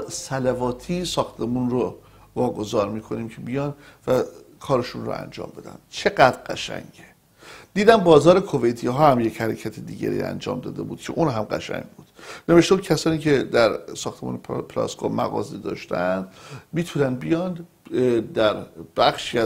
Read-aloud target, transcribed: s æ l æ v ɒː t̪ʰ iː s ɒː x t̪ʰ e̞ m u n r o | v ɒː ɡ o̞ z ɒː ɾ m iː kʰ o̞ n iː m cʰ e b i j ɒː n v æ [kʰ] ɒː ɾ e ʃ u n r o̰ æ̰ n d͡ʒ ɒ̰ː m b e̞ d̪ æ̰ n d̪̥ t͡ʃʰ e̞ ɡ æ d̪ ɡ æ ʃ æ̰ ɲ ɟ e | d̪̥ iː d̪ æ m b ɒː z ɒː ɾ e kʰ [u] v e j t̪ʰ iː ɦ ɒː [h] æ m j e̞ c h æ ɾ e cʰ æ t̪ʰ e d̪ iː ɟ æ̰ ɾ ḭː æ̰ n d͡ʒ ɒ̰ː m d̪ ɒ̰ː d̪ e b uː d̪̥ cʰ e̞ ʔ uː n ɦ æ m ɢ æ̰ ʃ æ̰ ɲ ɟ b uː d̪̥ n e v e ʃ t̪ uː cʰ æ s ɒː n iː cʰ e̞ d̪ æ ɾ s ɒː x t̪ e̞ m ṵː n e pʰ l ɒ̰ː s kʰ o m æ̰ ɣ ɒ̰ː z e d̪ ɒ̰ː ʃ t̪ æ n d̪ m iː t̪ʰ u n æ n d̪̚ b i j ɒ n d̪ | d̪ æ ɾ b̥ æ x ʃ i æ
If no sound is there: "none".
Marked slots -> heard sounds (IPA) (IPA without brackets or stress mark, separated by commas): kʰ, o, h